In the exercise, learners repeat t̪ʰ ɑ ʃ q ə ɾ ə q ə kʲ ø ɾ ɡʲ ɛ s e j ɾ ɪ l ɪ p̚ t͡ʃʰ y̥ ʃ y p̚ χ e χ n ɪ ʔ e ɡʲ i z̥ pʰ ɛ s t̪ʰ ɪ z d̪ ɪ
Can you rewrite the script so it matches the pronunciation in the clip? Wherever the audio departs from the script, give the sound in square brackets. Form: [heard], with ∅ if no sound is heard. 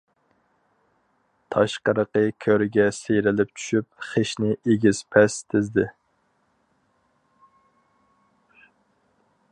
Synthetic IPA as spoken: t̪ʰ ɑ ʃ q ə ɾ ə q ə [kʲʰ] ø ɾ ɡʲ ɛ s e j ɾ ɪ l ɪ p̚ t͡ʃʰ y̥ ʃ y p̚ χ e [ʃ] n ɪ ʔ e ɡʲ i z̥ pʰ ɛ s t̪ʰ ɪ z d̪ ɪ